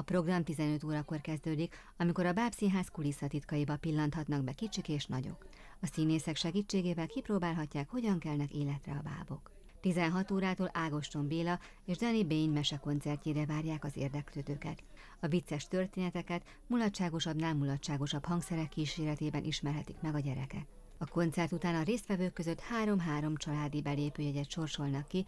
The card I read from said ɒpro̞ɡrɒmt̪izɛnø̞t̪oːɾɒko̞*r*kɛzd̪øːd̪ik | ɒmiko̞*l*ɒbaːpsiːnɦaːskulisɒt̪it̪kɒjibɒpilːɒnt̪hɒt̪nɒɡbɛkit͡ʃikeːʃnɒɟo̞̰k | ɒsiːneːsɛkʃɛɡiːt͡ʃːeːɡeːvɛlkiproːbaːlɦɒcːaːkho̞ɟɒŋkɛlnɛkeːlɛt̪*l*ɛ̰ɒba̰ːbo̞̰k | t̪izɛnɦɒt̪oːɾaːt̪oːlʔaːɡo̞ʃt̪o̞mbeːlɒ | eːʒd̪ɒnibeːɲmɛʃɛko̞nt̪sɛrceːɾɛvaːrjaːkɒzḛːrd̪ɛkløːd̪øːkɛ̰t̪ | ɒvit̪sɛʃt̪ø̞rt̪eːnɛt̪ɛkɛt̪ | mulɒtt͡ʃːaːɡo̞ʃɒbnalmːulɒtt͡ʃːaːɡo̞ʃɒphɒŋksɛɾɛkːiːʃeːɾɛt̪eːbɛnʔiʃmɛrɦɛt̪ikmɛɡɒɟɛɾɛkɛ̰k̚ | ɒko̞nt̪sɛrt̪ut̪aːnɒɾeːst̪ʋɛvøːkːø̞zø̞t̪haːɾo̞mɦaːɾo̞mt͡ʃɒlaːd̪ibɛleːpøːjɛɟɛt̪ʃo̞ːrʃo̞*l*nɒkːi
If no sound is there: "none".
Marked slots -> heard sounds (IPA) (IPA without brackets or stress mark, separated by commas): r, ɾ, r, l